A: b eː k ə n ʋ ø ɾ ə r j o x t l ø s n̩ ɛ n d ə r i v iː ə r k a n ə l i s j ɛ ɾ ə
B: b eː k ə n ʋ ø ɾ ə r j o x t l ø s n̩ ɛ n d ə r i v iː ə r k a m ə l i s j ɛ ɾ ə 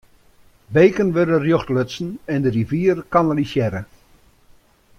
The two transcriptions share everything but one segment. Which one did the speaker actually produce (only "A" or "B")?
A